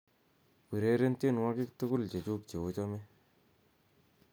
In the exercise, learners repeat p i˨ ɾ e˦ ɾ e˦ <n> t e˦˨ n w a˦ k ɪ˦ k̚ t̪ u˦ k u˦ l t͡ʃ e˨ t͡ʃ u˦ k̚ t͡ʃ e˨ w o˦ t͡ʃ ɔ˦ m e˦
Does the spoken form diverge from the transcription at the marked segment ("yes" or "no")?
no